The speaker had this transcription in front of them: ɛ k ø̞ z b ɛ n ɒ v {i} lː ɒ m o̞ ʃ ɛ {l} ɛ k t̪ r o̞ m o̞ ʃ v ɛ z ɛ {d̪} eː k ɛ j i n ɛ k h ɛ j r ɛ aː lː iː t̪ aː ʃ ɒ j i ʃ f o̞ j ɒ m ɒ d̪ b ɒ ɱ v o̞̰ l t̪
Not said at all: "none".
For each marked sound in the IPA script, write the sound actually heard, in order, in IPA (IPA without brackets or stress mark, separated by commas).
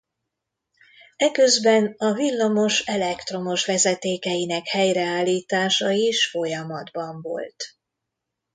i, l, t̪